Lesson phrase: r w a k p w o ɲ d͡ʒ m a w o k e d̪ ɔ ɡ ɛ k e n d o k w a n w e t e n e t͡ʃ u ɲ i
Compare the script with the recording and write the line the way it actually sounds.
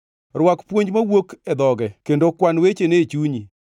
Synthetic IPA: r w a k p w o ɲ d͡ʒ m a w o k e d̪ ɔ ɡ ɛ k e n d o k w a n w e t͡ʃ e n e t͡ʃ u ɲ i